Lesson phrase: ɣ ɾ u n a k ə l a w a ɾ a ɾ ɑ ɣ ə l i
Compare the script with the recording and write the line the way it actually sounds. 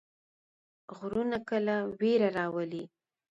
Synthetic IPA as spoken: ɣ ɾ u n a k ə l a w e ɾ a ɾ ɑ w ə l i